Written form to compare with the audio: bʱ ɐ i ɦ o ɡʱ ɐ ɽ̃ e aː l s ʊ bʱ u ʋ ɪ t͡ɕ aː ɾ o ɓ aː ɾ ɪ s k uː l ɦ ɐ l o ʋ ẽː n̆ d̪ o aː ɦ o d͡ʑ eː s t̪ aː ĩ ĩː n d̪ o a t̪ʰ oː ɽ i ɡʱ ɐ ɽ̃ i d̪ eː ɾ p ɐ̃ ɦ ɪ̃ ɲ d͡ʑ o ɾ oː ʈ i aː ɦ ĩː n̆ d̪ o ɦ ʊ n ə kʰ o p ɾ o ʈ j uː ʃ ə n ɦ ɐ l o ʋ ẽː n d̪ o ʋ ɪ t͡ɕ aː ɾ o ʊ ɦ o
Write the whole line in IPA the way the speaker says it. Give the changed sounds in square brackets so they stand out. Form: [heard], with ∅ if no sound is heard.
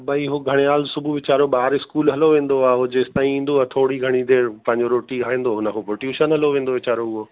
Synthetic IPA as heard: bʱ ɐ i ɦ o ɡʱ ɐ ɽ̃ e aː l s ʊ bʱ u ʋ ɪ t͡ɕ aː ɾ o ɓ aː ɾ ɪ s k uː l ɦ ɐ l o ʋ ẽː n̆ d̪ o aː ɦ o d͡ʑ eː s t̪ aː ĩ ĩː n d̪ o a t̪ʰ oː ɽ i ɡʱ ɐ ɽ̃ i d̪ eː ɾ p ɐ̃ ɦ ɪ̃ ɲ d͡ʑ o ɾ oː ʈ i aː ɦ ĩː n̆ d̪ o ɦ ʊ n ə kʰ o p ɾ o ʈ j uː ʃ ə n ɦ ɐ l o ʋ ẽː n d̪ o ʋ ɪ t͡ɕ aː ɾ o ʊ ɦ o